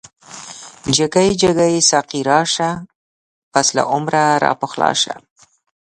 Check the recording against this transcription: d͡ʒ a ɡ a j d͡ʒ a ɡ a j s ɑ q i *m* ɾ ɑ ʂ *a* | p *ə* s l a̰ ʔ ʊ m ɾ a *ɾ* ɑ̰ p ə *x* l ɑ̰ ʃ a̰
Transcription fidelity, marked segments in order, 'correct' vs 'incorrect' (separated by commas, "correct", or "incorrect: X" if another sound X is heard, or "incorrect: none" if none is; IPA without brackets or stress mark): incorrect: none, correct, incorrect: a, correct, correct